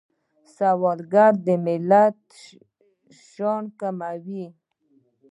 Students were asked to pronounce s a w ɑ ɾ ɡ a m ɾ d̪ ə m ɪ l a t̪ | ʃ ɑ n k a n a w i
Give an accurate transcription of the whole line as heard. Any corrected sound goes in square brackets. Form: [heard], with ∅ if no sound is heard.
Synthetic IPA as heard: s a w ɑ [l] ɡ a [∅] ɾ d̪ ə m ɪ l a t̪ | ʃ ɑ n k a [m] a w i